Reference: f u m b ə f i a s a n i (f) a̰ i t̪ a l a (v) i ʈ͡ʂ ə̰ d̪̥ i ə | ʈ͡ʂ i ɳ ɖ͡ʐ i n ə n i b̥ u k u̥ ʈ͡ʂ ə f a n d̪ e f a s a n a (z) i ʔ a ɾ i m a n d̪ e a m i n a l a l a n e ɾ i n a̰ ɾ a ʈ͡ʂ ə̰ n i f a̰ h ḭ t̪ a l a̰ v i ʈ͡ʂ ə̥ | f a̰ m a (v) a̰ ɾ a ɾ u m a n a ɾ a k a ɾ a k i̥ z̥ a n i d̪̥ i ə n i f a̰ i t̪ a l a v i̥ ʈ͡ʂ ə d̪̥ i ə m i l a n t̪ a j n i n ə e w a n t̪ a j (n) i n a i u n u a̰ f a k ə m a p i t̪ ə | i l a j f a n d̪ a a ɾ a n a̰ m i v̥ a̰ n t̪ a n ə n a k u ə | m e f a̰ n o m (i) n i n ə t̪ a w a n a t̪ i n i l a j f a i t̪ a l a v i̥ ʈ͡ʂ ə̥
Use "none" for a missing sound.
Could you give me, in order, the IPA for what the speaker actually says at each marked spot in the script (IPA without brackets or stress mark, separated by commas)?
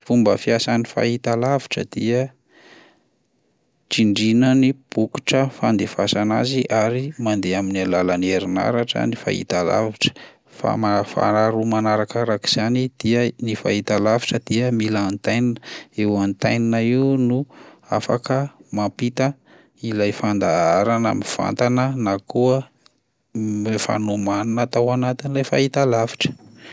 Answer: f, v, z, f, n, a